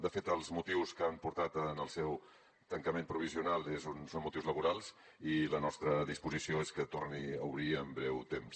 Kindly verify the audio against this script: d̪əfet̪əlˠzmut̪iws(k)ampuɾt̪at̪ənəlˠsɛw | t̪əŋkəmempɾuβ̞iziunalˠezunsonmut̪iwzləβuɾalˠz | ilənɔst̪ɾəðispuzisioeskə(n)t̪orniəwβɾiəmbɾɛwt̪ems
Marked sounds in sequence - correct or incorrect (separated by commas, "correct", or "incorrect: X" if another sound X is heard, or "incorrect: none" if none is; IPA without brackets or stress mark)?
correct, incorrect: none